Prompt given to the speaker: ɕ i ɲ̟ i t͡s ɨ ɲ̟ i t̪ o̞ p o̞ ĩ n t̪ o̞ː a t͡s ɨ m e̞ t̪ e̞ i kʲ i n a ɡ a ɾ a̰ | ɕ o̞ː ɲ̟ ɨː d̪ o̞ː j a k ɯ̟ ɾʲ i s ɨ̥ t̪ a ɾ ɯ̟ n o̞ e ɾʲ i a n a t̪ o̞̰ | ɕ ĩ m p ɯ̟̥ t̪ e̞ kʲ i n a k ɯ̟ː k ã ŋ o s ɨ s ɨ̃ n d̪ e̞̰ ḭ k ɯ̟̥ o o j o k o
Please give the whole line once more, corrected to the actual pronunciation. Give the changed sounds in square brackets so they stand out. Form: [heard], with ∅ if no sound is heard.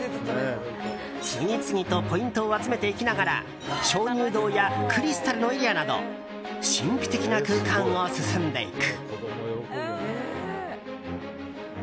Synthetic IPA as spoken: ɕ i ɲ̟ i t͡s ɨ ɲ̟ i t̪ o̞ p o̞ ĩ n t̪ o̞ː a t͡s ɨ m e̞ t̪ e̞ i kʲ i n a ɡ a ɾ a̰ | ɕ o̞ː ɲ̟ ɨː d̪ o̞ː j a k ɯ̟ ɾʲ i s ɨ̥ t̪ a ɾ ɯ̟ n o̞ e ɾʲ i a n a [d̪] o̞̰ | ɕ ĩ m p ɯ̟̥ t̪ e̞ kʲ i n a k ɯ̟ː k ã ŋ o s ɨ s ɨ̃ n d̪ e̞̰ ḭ k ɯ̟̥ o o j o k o

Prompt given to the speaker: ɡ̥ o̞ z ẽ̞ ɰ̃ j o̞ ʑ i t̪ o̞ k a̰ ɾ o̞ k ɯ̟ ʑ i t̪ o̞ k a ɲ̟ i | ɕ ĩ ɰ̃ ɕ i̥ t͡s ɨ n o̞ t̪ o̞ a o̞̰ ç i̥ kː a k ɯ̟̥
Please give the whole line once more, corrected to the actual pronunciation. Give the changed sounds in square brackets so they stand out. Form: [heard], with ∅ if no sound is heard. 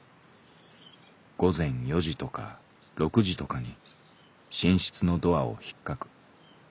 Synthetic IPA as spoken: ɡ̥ o̞ z ẽ̞ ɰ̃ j o̞ ʑ i t̪ o̞ k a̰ ɾ o̞ k ɯ̟ ʑ i t̪ o̞ k a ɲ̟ i | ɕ ĩ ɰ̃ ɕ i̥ t͡s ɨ n o̞ [d̪] o̞ a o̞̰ ç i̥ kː a k ɯ̟̥

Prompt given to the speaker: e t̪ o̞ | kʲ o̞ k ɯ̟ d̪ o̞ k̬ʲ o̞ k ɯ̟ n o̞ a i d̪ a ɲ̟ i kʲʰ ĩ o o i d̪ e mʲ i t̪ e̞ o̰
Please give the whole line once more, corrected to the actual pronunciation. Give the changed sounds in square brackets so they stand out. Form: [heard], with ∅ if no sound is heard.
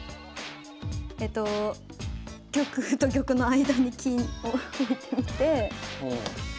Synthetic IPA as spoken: e t̪ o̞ | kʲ o̞ k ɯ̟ [t̪] o̞ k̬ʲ o̞ k ɯ̟ n o̞ a i d̪ a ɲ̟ i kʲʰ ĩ o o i [t̪] e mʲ i t̪ e̞ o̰

